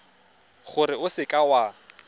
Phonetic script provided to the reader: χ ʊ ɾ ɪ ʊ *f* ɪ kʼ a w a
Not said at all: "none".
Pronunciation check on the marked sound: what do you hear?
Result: s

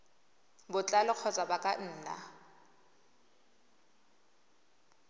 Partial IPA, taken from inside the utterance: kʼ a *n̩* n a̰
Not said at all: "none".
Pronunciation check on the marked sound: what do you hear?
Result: n̩ː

